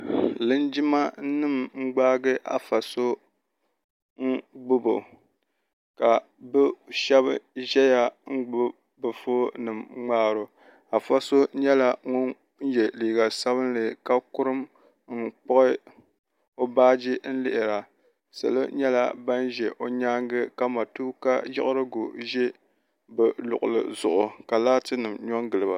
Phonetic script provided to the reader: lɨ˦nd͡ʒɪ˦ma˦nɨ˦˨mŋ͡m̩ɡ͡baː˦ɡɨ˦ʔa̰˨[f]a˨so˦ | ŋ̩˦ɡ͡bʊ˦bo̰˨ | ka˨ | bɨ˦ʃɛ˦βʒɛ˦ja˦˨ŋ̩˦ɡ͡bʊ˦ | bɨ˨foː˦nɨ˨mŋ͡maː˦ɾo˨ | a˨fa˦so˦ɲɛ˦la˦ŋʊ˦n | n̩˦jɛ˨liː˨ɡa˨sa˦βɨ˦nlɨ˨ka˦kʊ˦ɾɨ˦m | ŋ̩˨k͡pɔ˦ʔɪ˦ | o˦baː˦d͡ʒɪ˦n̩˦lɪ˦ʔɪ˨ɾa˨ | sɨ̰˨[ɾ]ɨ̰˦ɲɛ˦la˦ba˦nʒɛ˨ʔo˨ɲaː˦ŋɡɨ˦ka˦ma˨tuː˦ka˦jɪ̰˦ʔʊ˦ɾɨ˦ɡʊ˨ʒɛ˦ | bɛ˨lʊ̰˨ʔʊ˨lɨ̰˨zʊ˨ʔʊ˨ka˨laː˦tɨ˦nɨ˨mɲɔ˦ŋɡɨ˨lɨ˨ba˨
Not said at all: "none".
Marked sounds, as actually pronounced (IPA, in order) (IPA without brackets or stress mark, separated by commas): f, l